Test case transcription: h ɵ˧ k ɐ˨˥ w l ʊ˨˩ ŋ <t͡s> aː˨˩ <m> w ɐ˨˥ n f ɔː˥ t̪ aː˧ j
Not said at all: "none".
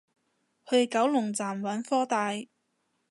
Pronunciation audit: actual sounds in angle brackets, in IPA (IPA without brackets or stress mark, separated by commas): t͡s, m